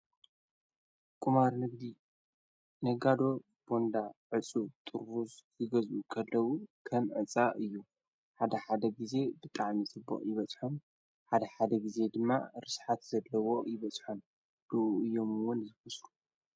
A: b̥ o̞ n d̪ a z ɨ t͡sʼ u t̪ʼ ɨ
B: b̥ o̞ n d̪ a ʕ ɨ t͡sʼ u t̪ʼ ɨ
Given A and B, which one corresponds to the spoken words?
B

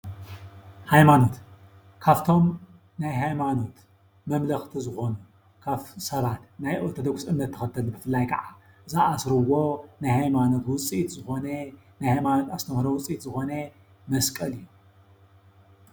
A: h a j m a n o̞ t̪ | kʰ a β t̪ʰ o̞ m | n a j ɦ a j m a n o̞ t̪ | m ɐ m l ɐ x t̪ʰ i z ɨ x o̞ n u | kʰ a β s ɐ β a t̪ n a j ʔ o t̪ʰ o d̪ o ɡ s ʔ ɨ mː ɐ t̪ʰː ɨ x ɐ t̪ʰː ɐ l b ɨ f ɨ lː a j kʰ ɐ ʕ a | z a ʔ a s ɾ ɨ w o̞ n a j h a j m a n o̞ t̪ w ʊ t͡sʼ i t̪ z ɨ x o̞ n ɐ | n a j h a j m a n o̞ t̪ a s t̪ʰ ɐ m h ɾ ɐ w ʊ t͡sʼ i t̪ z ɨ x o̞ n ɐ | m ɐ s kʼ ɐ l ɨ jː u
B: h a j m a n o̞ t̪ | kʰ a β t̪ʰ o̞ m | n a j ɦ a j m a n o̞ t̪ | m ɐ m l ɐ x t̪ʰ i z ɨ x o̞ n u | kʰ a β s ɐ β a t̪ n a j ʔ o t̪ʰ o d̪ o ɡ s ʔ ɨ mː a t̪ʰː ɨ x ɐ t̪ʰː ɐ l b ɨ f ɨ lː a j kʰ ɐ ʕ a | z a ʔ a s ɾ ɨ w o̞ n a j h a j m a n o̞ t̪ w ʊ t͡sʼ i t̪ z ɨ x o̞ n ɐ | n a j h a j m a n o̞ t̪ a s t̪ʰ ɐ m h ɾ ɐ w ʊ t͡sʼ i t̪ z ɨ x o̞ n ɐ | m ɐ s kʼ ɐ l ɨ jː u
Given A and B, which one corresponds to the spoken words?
A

